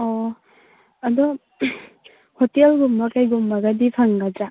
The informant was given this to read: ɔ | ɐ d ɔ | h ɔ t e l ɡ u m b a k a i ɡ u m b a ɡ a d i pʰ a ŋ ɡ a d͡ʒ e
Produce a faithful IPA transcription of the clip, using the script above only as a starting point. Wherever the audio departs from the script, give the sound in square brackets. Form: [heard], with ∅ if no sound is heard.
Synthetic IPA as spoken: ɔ | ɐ d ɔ | h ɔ t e l ɡ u m b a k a [j] ɡ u m b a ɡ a d i pʰ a ŋ ɡ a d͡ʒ [a]